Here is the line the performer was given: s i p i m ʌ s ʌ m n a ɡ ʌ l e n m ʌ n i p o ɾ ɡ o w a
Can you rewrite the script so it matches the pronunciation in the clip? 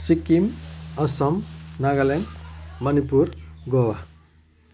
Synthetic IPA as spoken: s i k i m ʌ s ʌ m n a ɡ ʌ l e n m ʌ n i p u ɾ ɡ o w a

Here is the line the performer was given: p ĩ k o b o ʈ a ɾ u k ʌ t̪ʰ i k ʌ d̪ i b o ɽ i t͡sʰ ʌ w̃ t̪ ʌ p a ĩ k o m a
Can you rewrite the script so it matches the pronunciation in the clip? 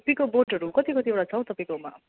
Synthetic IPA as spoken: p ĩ k o b o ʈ ʌ ɾ u k ʌ t̪ i k ʌ t̪ i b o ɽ a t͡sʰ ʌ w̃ t̪ ʌ p a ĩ k o m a

